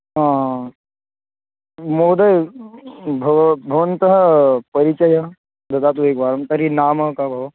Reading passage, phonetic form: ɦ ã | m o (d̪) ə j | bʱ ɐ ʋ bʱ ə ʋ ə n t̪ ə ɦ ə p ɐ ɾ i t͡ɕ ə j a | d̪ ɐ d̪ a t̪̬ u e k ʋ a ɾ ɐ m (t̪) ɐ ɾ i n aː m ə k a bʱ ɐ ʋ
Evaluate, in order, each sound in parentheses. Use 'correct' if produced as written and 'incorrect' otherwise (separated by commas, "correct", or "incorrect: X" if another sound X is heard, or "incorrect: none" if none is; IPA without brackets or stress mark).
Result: correct, correct